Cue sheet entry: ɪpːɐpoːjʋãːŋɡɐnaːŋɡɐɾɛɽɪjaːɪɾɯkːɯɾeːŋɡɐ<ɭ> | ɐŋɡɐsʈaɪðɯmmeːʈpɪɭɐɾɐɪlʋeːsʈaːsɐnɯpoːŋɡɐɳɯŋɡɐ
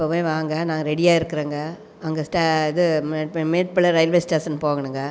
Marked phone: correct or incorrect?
incorrect